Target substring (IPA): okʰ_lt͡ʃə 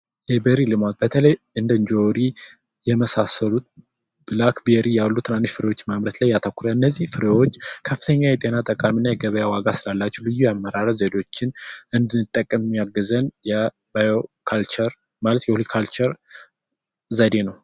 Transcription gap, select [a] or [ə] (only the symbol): a